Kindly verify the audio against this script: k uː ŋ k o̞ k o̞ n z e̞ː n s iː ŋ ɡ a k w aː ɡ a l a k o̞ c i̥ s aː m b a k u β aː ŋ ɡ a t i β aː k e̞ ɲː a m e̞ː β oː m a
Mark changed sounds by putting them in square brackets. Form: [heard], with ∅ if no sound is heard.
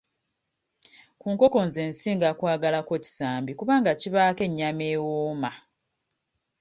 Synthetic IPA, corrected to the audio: k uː ŋ k o̞ k o̞ n z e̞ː n s iː ŋ ɡ a k w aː ɡ a l a k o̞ c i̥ s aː m b [i] k u β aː ŋ ɡ a [c] i β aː k e̞ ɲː a m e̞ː [w] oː m a

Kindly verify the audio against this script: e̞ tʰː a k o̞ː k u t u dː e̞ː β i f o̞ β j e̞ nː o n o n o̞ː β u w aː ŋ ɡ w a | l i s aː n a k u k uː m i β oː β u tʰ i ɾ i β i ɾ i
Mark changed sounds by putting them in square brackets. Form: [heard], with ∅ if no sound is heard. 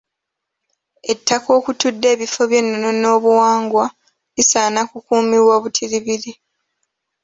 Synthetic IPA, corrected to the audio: e̞ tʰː a k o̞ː k u t u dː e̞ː β i f o̞ β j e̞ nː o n o n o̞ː β u w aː ŋ ɡ w a | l i s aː n a k u k uː m i [w] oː β u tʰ i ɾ i β i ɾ i

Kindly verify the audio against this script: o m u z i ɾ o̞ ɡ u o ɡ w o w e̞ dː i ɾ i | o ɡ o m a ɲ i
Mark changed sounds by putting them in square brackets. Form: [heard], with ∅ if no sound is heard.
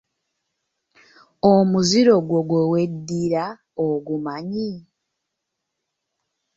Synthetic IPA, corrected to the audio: o m u z i ɾ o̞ ɡ [w] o ɡ w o w e̞ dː i ɾ [a] | o ɡ [u] m a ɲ i

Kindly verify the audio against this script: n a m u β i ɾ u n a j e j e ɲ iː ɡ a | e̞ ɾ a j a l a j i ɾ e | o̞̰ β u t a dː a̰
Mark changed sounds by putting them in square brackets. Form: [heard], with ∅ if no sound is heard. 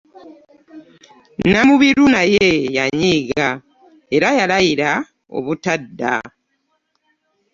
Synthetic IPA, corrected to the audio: n a m u β i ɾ u n a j e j [a] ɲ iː ɡ a | e̞ ɾ a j a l a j i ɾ [a] | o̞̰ β u t a dː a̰

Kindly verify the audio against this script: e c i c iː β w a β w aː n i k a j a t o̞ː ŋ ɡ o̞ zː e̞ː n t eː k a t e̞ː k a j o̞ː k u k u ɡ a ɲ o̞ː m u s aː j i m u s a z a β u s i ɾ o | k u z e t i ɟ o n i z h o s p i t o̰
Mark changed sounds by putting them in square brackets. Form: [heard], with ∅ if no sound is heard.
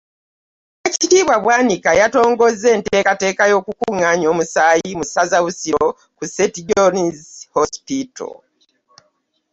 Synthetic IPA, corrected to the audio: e c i [t] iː β w a β w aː n i k a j a t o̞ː ŋ ɡ o̞ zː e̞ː n t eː k a t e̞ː k a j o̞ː k u k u [ŋ] a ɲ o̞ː m u s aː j i m u s a z a β u s i ɾ o | k u [s] e t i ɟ o n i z h o s p i t o̰

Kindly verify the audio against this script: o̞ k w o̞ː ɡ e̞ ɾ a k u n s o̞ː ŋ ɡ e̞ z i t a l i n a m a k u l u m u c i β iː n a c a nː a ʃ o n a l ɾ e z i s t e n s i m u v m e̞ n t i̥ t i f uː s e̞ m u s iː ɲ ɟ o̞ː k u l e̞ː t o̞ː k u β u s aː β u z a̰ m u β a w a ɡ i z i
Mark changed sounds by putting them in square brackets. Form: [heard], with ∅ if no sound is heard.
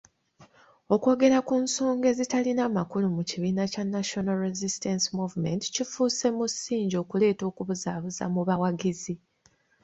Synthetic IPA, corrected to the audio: o̞ k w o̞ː ɡ e̞ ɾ a k u n s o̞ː ŋ ɡ e̞ z i t a l i n a m a k u l u m u c i β iː n a c a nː a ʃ o n a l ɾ e z i s t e n s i m u v m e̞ n t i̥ [c] i f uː s e̞ m u s iː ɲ ɟ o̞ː k u l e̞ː t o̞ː k u β u [z] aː β u z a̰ m u β a w a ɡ i z i

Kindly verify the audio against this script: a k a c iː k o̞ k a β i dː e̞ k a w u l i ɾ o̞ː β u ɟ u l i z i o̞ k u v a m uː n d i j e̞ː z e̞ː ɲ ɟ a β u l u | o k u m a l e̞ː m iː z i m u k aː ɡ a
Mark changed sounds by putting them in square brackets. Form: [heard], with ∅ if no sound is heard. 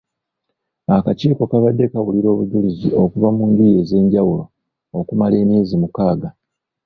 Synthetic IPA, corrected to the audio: a k a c iː k o̞ k a β [a] dː e̞ k a w u l i ɾ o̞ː β u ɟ u l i z i o̞ k u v a m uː n d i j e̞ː z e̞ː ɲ ɟ a [w] u l [o] | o k u m a l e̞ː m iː z i m u k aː ɡ a

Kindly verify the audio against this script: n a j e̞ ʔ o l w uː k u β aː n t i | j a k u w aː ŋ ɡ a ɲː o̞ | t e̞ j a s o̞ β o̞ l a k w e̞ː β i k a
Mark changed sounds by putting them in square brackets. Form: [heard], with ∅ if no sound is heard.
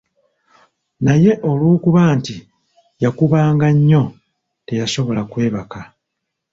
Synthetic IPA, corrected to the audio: n a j e̞ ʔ o l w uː k u β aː n t i | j a k u [β] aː ŋ ɡ a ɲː o̞ | t e̞ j a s o̞ β o̞ l a k w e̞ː β [a] k a

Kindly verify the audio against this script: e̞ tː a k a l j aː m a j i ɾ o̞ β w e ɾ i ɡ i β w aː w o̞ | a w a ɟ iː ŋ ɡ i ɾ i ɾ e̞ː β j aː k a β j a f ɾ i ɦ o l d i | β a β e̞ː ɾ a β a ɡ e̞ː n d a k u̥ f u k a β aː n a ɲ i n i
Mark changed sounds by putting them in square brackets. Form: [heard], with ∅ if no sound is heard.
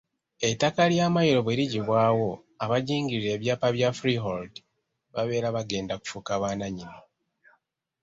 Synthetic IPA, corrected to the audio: e̞ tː a k a l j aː m a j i ɾ o̞ β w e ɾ i [ɟ] i β w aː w o̞ | a [β] a ɟ iː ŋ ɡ i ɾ i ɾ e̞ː β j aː [p] a β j a f ɾ i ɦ o l d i | β a β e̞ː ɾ a β a ɡ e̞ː n d a k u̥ f u k a β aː n a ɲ i n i

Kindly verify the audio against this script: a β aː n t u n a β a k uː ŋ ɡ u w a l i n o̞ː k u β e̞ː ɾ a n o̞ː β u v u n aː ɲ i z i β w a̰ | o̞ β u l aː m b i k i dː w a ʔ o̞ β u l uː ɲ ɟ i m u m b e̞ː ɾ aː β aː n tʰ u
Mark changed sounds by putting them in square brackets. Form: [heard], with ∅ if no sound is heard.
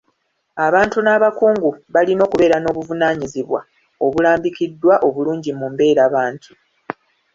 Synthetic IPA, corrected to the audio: a β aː n t u n a β a k uː ŋ ɡ u [β] a l i n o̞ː k u β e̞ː ɾ a n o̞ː β u v u n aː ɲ i z i β w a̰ | o̞ β u l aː m b i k i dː w a ʔ o̞ β u l uː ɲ ɟ i m u m b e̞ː ɾ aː β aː n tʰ u

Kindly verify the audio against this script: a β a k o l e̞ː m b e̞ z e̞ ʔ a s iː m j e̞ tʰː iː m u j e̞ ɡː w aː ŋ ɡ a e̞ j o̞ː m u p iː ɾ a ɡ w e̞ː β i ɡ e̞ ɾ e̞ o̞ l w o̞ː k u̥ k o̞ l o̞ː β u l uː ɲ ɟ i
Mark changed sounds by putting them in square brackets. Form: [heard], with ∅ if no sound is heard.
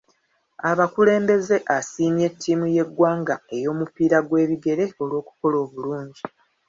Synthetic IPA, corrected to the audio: a β a k [u] l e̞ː m b e̞ z e̞ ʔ a s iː m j e̞ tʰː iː m u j e̞ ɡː w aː ŋ ɡ a e̞ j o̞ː m u p iː ɾ a ɡ w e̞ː β i ɡ e̞ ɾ e̞ o̞ l w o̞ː k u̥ k o̞ l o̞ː β u l uː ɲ ɟ i

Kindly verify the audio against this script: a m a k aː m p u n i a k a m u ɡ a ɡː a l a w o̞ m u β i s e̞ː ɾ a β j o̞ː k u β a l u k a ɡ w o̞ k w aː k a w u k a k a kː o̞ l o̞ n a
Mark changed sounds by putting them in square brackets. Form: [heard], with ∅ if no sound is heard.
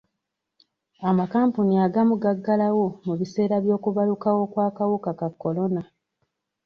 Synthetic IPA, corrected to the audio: a m a k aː m p u n i a [ɡ] a m u ɡ a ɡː a l a w o̞ m u β i s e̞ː ɾ a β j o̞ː k u β a l u k a [∅] w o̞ k w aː k a w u k a k a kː o̞ l o̞ n a

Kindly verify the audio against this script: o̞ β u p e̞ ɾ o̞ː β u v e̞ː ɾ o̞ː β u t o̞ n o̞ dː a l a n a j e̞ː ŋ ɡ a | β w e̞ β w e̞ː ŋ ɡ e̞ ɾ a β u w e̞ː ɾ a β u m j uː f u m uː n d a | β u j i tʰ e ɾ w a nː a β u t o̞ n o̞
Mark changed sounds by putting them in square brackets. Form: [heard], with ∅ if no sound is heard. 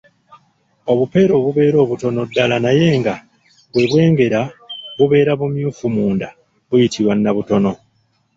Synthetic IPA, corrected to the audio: o̞ β u p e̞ ɾ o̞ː β u [β] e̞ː ɾ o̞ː β u t o̞ n o̞ dː a l a n a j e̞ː ŋ ɡ a | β w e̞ β w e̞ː ŋ ɡ e̞ ɾ a β u [β] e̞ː ɾ a β u m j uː f u m uː n d a | β u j i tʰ [i] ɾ w a nː a β u t o̞ n o̞

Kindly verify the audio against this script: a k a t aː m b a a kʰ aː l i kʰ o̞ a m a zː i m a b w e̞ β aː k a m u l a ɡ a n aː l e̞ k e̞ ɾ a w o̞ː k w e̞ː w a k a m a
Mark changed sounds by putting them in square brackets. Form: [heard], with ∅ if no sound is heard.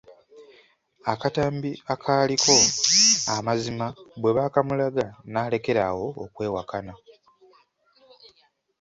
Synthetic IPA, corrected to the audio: a k a t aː m b [i] a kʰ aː l i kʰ o̞ a m a [z] i m a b w e̞ β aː k a m u l a ɡ a n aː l e̞ k e̞ ɾ a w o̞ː k w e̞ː w a k a [n] a

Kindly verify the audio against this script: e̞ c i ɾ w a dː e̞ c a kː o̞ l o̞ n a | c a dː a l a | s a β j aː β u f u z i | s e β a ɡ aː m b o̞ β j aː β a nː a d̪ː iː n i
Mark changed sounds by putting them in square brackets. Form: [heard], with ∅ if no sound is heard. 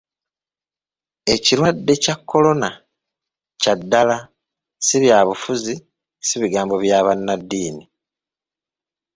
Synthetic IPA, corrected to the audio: e̞ c i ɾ w a dː e̞ c a kː o̞ l o̞ n a | c a dː a l a | s [i] β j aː β u f u z i | s [i] β [i] ɡ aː m b o̞ β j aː β a nː a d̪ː iː n i

